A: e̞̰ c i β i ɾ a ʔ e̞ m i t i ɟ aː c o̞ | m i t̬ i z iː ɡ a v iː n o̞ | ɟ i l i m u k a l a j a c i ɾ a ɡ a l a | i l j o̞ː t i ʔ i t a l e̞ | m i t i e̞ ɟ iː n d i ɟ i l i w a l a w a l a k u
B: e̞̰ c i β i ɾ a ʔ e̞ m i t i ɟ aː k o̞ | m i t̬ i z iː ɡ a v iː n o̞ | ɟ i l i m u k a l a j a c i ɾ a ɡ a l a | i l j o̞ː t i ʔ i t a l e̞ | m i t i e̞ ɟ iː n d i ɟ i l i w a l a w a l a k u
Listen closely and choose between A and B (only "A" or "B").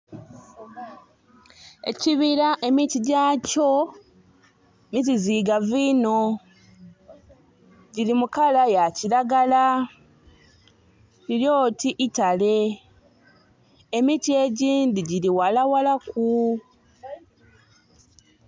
A